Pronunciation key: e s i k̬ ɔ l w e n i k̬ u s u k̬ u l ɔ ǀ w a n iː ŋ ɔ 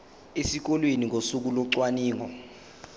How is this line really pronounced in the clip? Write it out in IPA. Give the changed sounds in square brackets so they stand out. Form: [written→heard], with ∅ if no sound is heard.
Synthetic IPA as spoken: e s i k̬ ɔ l w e n i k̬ [u→o] s u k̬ u l ɔ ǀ w a n iː ŋ ɔ